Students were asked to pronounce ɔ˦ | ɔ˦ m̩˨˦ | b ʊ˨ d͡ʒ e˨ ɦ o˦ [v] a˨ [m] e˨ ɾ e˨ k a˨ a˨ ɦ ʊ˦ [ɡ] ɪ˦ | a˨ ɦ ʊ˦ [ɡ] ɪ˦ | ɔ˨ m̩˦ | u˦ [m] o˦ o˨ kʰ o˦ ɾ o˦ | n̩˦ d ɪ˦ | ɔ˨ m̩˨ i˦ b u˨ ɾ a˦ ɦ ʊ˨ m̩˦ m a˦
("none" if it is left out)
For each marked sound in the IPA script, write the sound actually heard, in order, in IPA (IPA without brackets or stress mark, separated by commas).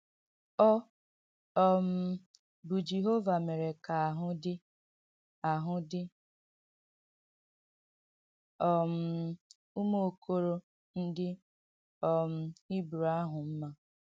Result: v, m, d, d, m